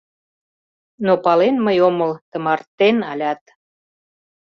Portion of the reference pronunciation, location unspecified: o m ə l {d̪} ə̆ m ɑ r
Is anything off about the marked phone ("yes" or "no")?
yes